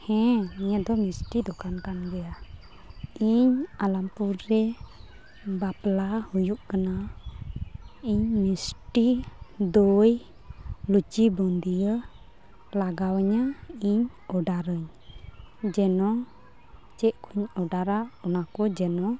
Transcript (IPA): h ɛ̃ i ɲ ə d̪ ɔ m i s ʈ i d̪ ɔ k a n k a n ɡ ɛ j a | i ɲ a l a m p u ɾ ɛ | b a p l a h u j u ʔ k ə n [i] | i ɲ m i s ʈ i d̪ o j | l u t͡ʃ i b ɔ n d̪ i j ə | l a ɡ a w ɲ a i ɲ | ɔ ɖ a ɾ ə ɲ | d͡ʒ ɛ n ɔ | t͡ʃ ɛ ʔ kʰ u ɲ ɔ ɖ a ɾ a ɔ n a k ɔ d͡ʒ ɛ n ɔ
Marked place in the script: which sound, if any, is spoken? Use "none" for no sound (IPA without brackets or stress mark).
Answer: a